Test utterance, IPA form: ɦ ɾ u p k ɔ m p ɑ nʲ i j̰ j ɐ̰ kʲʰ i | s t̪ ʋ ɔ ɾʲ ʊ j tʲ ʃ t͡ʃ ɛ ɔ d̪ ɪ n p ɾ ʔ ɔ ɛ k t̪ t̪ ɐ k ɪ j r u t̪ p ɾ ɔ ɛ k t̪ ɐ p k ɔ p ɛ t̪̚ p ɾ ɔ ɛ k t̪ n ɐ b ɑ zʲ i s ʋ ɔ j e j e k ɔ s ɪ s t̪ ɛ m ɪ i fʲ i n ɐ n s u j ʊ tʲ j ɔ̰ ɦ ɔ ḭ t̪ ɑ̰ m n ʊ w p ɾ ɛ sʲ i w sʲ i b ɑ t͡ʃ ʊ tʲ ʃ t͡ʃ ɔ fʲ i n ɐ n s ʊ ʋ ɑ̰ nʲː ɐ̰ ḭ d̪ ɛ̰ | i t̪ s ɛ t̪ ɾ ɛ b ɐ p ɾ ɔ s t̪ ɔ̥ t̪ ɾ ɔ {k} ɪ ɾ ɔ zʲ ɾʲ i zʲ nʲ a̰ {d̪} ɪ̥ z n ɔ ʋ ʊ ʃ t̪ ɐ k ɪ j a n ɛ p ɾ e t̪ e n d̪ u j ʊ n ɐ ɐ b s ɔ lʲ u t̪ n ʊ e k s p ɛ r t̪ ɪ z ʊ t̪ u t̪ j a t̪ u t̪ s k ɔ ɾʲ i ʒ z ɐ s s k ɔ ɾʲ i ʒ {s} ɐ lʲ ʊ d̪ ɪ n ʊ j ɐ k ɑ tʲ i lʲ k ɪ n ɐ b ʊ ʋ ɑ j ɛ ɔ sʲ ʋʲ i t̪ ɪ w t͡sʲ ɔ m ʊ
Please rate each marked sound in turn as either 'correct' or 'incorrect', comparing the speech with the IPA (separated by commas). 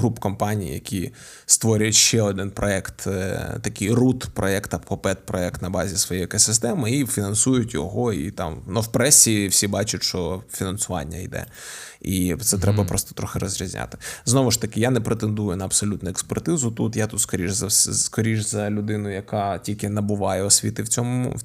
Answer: incorrect, incorrect, incorrect